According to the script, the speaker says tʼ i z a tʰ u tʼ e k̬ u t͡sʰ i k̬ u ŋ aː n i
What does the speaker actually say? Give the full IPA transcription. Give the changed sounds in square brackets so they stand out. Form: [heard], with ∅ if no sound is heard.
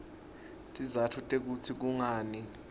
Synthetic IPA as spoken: tʼ i z a tʰ u tʼ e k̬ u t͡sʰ i k̬ u ŋ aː n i